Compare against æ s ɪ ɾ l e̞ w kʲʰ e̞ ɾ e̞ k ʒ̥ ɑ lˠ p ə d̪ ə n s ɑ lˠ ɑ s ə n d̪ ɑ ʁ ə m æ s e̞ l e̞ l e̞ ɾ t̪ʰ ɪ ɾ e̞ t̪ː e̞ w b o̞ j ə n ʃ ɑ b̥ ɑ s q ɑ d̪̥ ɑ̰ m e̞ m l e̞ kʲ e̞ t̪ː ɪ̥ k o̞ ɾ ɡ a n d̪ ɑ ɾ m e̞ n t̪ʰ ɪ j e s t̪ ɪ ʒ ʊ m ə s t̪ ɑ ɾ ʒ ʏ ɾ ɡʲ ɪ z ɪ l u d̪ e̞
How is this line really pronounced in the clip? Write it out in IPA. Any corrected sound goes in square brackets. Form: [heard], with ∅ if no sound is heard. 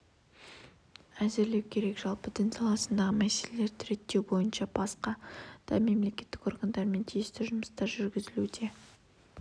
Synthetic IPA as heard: æ [z] ɪ ɾ l e̞ w kʲʰ e̞ ɾ e̞ k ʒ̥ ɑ lˠ p ə d̪ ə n s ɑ lˠ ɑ s ə n d̪ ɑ ʁ ə m æ s e̞ l e̞ l e̞ ɾ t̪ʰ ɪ ɾ e̞ t̪ː e̞ w b o̞ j ə n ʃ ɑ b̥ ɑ s q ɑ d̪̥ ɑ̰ m e̞ m l e̞ kʲ e̞ t̪ː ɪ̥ k o̞ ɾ ɡ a n d̪ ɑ ɾ m e̞ n t̪ʰ [i] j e s t̪ ɪ ʒ ʊ m ə s t̪ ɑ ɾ ʒ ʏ ɾ ɡʲ ɪ z ɪ l u d̪ e̞

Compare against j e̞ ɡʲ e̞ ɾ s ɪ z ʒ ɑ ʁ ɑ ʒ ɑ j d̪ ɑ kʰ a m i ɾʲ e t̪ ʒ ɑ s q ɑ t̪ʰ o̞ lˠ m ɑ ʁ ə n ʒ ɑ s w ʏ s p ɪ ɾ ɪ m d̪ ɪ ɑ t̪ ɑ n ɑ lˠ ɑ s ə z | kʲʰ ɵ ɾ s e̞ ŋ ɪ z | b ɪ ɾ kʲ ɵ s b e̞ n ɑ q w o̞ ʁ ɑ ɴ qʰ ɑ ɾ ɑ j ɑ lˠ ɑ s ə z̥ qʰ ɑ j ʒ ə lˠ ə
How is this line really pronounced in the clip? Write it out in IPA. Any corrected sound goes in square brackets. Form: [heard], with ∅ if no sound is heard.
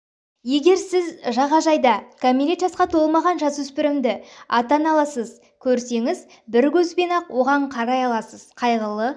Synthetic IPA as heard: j e̞ ɡʲ e̞ ɾ s ɪ z ʒ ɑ ʁ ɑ ʒ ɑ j d̪ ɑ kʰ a m i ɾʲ e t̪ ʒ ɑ s q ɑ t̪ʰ o̞ lˠ m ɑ ʁ [ɑ] n ʒ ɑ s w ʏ s p ɪ ɾ ɪ m d̪ ɪ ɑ t̪ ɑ n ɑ lˠ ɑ s ə z | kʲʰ ɵ ɾ s e̞ ŋ ɪ z | b ɪ ɾ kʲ ɵ [z] b e̞ n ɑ q w o̞ ʁ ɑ ɴ qʰ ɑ ɾ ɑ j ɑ lˠ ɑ s ə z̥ qʰ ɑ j [ʁ] ə lˠ ə

